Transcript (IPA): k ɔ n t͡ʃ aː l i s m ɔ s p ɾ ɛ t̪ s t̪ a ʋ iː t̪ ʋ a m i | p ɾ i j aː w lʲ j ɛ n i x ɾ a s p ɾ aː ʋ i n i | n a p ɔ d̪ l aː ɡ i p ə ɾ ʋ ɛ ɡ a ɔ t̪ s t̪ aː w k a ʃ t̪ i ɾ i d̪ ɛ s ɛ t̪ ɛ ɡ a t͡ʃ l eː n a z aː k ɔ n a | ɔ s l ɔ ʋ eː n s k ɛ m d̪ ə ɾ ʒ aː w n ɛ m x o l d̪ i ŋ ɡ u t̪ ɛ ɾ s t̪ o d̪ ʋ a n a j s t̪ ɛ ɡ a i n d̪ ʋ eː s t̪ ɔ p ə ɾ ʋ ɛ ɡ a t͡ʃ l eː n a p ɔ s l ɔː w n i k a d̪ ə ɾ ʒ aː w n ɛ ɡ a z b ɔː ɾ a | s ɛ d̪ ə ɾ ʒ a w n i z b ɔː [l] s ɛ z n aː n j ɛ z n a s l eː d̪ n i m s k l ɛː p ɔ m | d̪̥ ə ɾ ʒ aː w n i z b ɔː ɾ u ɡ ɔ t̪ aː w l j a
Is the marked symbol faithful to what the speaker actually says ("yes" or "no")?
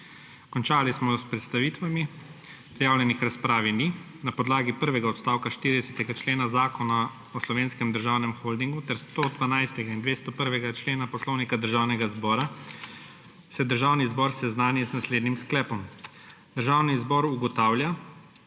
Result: no